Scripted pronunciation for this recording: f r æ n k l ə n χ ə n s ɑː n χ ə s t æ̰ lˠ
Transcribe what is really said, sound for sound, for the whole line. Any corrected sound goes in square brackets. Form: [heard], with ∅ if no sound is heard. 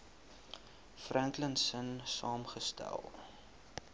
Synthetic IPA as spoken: f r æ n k l ə n [s] ə n s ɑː [m] χ ə s t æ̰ lˠ